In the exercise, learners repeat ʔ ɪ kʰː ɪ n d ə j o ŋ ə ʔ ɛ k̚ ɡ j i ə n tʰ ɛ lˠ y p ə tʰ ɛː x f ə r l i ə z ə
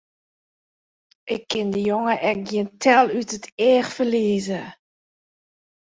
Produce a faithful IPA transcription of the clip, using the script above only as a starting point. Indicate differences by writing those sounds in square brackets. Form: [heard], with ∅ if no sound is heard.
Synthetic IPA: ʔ ɪ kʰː ɪ n d ə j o ŋ ə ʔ ɛ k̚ ɡ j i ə n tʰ ɛ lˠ y [t] ə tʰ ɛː x f ə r l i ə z ə